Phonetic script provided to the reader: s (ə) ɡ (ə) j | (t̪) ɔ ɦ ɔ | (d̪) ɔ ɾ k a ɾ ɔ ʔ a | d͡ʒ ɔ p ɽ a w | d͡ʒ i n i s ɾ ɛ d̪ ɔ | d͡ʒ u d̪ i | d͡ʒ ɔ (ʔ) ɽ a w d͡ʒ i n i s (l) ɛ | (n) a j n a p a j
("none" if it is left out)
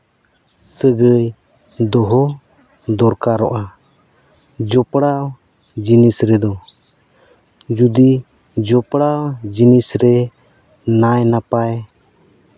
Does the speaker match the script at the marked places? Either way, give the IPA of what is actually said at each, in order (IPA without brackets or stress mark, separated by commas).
ə, ə, d̪, d̪, p, ɾ, n